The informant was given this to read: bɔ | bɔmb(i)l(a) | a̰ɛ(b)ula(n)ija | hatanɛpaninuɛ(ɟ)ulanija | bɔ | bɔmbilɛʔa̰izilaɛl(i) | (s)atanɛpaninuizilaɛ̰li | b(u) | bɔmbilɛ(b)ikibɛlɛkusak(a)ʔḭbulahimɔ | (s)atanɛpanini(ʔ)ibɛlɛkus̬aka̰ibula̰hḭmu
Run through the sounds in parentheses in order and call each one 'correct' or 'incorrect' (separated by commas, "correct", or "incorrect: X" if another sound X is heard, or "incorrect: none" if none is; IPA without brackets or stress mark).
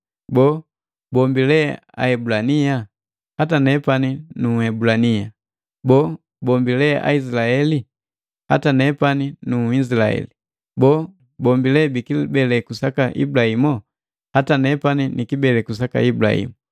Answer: correct, incorrect: ɛ, correct, correct, incorrect: b, correct, incorrect: h, incorrect: ɔ, correct, correct, incorrect: h, incorrect: k